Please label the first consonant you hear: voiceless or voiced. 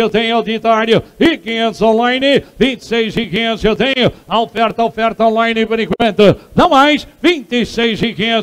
voiced